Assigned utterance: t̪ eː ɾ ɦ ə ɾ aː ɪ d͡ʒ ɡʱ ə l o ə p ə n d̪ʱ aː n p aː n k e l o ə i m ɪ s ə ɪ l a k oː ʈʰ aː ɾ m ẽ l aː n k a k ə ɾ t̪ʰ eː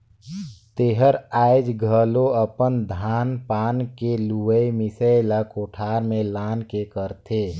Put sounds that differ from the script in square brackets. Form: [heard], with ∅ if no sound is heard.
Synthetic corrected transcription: t̪ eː [∅] ɦ ə ɾ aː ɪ d͡ʒ ɡʱ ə l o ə p ə n d̪ʱ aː n p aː n k e l [u] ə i m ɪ s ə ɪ l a k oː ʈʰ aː ɾ m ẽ l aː n k [e] k ə ɾ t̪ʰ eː